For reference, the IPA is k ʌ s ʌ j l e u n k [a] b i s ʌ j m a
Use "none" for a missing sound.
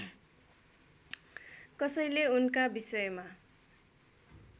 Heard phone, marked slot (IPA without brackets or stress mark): a